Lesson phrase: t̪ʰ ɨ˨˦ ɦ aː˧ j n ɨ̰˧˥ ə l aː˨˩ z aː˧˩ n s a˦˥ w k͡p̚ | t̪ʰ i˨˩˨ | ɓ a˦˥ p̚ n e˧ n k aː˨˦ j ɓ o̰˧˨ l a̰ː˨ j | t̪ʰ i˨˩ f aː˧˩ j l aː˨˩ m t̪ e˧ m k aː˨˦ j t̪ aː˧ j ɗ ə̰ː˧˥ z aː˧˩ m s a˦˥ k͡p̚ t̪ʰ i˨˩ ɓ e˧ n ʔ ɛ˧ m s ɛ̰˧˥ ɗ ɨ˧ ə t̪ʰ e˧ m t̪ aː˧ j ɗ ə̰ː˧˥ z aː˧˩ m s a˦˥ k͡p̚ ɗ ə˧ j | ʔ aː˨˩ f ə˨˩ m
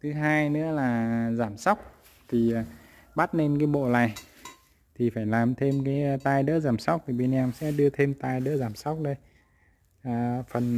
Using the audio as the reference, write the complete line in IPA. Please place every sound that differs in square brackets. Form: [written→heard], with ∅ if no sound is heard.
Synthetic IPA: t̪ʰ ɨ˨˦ ɦ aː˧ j n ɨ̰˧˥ ə l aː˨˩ z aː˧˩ [n→m] s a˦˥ w k͡p̚ | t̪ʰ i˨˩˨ | ɓ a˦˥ [p̚→t̚] n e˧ n k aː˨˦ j ɓ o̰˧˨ l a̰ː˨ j | t̪ʰ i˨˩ f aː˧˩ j l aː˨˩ m [t̪→t̪ʰ] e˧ m k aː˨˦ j t̪ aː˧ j ɗ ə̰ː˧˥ z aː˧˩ m s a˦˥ k͡p̚ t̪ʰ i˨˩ ɓ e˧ n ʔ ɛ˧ m s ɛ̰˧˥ ɗ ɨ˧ ə t̪ʰ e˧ m t̪ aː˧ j ɗ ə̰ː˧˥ z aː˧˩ m s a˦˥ k͡p̚ ɗ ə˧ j | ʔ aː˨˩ f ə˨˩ [m→n]